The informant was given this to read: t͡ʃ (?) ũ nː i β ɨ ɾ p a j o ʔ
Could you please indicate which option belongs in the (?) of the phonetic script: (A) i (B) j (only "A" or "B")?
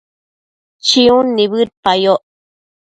A